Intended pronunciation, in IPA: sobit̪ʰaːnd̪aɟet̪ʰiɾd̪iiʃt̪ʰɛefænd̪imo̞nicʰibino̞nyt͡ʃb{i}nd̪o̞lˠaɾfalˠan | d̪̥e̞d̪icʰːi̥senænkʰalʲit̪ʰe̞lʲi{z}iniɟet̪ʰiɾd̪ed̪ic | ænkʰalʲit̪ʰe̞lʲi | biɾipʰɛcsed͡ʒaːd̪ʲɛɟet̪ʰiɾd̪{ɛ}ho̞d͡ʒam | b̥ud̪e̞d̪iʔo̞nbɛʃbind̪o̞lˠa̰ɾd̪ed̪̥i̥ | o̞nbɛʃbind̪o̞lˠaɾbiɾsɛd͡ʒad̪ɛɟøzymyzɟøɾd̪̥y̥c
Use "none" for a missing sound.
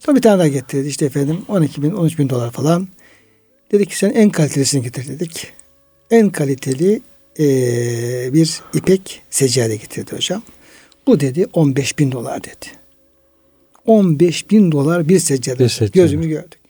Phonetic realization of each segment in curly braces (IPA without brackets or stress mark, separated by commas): i, s, i